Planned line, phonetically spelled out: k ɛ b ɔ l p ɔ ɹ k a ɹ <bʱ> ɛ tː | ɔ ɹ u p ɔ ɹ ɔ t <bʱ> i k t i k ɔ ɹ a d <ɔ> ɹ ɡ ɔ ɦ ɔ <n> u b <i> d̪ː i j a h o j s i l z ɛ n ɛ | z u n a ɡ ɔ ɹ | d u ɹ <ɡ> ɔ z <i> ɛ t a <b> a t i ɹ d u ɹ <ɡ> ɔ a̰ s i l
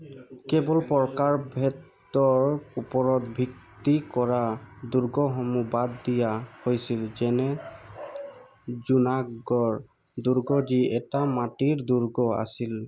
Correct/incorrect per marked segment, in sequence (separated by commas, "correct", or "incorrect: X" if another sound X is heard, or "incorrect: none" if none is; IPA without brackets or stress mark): correct, correct, incorrect: u, incorrect: m, incorrect: a, correct, correct, incorrect: m, correct